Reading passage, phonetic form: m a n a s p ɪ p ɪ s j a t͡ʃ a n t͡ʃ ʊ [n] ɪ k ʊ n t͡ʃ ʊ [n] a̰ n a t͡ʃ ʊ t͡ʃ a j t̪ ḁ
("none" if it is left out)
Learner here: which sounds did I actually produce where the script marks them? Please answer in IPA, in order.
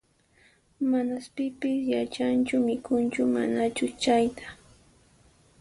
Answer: m, m

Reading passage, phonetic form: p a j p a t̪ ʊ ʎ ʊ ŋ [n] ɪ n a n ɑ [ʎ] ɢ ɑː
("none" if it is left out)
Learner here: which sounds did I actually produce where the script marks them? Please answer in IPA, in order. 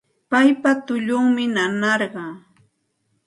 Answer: m, ɾ

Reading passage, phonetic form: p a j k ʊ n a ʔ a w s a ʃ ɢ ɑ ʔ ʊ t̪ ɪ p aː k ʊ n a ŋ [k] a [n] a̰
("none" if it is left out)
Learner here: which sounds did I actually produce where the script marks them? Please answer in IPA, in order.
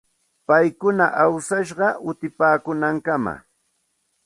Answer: k, m

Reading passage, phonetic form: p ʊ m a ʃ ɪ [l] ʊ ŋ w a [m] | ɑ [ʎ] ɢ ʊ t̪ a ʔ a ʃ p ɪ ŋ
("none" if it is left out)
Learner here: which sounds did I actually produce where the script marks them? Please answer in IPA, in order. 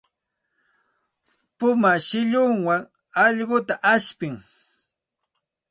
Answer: ʎ, ŋ, ʎ

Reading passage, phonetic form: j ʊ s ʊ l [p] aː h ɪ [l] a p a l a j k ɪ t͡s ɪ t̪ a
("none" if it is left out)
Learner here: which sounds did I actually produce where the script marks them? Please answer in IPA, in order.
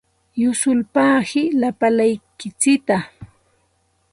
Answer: p, l

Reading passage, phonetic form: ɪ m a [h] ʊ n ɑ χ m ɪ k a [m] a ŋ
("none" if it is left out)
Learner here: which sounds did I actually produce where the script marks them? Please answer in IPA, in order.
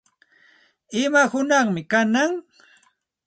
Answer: h, n

